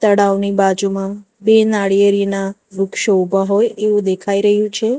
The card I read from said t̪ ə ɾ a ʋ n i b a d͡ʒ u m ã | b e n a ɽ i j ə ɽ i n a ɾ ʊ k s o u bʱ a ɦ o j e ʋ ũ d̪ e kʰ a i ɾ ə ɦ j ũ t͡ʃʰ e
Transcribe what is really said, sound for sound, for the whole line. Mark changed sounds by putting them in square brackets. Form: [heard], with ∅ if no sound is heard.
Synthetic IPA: t̪ ə [ɽ] a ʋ n i b a d͡ʒ u m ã | b e n a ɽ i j ə [ɾ] i n a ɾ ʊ k [ʃ] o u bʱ a ɦ o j e ʋ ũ d̪ e kʰ a i ɾ ə ɦ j ũ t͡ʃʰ e